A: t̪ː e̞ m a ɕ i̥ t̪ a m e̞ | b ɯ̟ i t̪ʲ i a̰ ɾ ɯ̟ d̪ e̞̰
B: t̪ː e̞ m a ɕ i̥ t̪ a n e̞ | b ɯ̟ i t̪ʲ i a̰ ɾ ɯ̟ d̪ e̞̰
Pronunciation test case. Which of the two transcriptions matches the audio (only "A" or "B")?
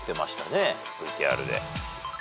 B